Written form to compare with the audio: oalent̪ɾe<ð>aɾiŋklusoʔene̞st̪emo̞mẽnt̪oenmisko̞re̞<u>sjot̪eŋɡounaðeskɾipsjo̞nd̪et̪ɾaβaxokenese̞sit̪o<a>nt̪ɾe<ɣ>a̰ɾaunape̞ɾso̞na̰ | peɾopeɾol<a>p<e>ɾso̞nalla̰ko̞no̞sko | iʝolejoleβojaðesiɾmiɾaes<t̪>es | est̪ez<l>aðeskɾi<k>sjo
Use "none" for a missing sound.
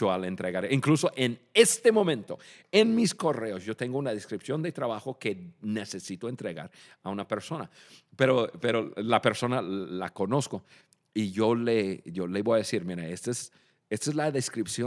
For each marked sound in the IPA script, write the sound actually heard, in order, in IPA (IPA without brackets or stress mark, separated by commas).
ɣ, o, e, ɣ, a, e, t̪, l, p